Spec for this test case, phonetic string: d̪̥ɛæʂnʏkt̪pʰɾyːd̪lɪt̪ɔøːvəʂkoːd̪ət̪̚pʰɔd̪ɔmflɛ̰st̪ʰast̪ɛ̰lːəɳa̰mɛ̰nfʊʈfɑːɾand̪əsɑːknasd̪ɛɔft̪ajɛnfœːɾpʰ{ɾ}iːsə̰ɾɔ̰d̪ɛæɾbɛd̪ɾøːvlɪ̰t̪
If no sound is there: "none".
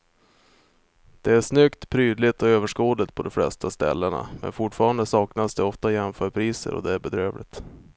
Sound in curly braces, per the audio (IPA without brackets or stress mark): ɾ